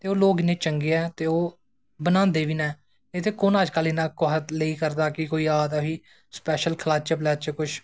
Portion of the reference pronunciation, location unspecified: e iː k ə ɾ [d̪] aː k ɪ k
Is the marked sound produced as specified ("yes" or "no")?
yes